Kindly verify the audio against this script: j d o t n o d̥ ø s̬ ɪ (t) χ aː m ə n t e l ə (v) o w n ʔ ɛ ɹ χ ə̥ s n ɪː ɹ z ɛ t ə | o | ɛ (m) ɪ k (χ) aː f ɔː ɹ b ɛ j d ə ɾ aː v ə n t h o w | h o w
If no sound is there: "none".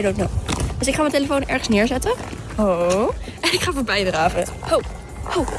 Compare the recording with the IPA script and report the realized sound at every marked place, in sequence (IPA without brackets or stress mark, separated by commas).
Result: k, f, n, χ